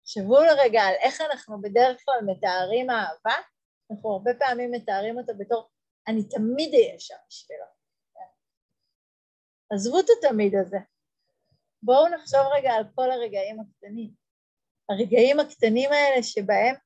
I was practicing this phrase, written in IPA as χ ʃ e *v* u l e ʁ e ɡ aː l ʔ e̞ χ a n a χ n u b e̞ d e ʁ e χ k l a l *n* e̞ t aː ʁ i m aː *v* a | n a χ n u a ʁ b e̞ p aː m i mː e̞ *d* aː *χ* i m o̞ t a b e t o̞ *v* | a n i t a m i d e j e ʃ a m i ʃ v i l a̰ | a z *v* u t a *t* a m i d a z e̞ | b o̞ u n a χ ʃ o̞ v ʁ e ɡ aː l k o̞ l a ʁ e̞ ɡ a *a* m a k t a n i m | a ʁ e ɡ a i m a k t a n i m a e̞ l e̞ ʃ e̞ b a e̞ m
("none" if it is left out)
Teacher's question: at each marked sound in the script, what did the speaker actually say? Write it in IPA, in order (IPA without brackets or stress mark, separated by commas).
v, m, v, t, ʁ, ʁ, v, t, i